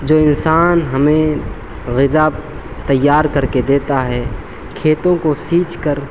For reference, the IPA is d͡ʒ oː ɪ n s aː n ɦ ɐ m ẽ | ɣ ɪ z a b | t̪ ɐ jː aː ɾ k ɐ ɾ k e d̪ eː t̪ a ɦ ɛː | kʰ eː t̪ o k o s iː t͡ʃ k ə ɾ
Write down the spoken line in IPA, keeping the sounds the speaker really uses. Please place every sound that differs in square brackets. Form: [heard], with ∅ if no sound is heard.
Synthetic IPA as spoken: d͡ʒ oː ɪ n s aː n ɦ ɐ m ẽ | ɣ ɪ z a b | t̪ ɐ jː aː ɾ k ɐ ɾ k e d̪ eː t̪ a ɦ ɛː | kʰ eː t̪ [õ] k o s iː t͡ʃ k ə ɾ

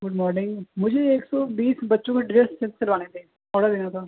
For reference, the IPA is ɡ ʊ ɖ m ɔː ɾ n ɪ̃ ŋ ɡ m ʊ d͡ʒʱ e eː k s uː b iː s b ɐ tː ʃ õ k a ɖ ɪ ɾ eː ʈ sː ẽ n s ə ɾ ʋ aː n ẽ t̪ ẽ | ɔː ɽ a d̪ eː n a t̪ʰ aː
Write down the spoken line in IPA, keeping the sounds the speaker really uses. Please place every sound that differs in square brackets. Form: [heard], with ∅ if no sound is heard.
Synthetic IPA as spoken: ɡ ʊ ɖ m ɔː ɾ n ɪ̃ ŋ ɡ m ʊ d͡ʒʱ e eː k s [ɔː] b iː s b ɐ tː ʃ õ k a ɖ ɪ ɾ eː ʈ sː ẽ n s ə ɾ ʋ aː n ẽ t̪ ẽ | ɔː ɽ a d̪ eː n a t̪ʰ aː

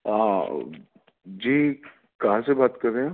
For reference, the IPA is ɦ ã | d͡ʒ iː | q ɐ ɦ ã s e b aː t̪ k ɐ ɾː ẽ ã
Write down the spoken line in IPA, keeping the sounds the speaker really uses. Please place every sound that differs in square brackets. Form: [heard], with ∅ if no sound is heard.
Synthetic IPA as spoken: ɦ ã | d͡ʒ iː | [k] ɐ ɦ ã s e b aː t̪ k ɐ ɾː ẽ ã

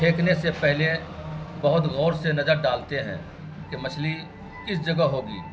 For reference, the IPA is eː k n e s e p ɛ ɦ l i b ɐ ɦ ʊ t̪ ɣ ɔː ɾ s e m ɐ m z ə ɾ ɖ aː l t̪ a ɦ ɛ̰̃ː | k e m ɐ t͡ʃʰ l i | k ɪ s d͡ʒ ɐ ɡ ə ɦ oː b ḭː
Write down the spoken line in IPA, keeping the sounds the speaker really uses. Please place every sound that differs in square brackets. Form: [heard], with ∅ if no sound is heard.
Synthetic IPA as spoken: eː k n e s e p ɛ ɦ l [e] b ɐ ɦ ʊ t̪ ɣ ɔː ɾ s e [n] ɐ [∅] z ə ɾ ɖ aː l t̪ [e] ɦ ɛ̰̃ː | k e m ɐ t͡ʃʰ l i | k ɪ s d͡ʒ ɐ ɡ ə ɦ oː [ɡ] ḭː

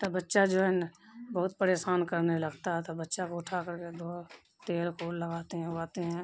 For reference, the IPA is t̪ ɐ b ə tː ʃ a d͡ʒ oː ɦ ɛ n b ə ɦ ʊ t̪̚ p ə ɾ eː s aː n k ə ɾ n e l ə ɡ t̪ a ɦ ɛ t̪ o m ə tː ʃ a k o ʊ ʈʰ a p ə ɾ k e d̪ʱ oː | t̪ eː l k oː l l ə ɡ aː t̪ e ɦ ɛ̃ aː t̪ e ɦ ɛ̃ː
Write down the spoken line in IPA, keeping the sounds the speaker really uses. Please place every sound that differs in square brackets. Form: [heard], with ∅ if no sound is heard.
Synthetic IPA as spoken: t̪ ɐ b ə tː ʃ a d͡ʒ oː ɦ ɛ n b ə ɦ ʊ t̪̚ p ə ɾ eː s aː n k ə ɾ n e l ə ɡ t̪ a ɦ ɛ t̪ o [b] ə tː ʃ a k o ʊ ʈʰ a [k] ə ɾ k e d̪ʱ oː | t̪ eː l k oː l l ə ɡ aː t̪ e ɦ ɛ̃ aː t̪ e ɦ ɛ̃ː

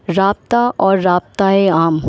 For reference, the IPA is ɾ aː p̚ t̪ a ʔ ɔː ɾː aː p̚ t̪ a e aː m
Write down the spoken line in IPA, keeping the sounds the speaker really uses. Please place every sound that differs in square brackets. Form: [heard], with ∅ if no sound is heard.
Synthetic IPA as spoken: ɾ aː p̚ t̪ a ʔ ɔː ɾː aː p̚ t̪ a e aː m

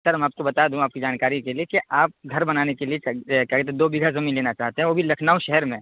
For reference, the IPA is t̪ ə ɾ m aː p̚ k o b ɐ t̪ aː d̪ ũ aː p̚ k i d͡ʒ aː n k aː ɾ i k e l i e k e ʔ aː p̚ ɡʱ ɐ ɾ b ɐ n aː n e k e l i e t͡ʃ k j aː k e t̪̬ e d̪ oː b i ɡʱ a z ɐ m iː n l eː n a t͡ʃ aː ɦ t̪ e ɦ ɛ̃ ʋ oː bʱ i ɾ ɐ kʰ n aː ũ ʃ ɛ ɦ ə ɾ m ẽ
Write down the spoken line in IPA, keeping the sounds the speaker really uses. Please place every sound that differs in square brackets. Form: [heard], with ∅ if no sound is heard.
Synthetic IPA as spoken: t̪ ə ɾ m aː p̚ k o b ɐ t̪ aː d̪ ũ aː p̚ k i d͡ʒ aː n k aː ɾ i k e l i e k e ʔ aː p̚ ɡʱ ɐ ɾ b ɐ n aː n e k e l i e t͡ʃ k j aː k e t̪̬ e d̪ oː b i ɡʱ a z ɐ m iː n l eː n a t͡ʃ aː ɦ t̪ e ɦ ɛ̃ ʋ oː bʱ i [l] ɐ kʰ n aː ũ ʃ ɛ ɦ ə ɾ m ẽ

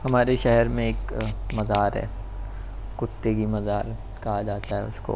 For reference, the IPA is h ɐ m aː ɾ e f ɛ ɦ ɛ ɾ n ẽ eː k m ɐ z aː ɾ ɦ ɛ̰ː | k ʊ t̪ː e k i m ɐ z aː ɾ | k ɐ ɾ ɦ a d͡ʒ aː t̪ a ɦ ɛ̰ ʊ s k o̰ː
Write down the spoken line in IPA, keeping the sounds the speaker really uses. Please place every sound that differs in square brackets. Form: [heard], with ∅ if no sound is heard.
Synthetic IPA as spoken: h ɐ m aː ɾ e [ʃ] ɛ ɦ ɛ ɾ [m] ẽ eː k m ɐ z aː ɾ ɦ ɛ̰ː | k ʊ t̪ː e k i m ɐ z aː ɾ | k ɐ [∅] ɦ a d͡ʒ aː t̪ a ɦ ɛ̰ ʊ s k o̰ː

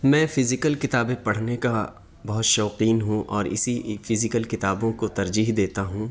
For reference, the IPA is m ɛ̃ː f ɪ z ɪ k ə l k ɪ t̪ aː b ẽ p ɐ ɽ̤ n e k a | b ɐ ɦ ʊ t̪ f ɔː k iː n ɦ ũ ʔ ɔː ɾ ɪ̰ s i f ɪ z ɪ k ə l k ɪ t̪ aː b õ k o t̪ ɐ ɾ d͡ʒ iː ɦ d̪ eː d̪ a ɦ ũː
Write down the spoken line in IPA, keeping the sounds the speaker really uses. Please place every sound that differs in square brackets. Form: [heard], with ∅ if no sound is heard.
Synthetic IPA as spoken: m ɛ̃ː f ɪ z ɪ k ə l k ɪ t̪ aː b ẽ p ɐ ɽ̤ n e k a | b ɐ ɦ ʊ t̪ [ʃ] ɔː [q] iː n ɦ ũ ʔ ɔː ɾ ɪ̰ s i f ɪ z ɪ k ə l k ɪ t̪ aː b õ k o t̪ ɐ ɾ d͡ʒ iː ɦ d̪ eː [t̪] a ɦ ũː

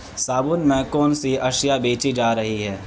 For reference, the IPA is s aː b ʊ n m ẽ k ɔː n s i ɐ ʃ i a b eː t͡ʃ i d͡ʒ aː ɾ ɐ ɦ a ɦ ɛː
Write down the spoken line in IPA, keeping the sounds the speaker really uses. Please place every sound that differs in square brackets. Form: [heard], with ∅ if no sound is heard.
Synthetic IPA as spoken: s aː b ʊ n m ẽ k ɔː n s i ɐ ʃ [j] a b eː t͡ʃ i d͡ʒ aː ɾ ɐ ɦ [i] ɦ ɛː

